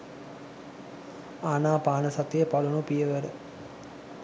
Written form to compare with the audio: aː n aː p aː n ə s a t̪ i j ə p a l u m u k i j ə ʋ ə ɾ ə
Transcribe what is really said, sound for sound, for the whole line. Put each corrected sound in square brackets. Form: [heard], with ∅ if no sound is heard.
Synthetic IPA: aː n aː p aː n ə s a t̪ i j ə p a l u [n] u [p] i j ə ʋ ə ɾ ə